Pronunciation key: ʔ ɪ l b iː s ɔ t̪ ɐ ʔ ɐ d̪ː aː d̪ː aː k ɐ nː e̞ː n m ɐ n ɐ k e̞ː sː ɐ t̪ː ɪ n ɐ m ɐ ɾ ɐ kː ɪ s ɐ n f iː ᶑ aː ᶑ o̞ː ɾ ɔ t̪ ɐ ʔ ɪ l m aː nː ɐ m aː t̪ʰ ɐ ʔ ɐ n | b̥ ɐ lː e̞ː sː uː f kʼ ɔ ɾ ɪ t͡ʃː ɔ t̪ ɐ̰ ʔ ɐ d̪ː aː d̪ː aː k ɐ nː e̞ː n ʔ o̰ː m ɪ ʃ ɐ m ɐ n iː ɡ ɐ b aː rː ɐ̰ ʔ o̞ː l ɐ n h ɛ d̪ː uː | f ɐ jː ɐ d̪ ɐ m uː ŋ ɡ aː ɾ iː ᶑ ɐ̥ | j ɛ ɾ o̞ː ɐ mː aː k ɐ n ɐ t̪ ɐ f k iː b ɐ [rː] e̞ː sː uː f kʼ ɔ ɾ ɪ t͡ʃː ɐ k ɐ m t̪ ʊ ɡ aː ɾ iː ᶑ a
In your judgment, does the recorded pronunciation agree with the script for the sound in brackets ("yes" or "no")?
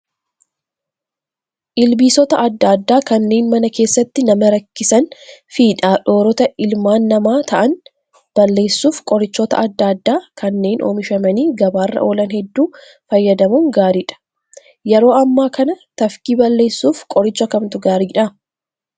no